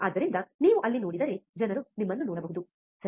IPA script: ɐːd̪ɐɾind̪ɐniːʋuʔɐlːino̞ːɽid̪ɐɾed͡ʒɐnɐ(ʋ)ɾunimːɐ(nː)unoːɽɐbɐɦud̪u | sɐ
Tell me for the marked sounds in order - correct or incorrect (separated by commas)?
incorrect, correct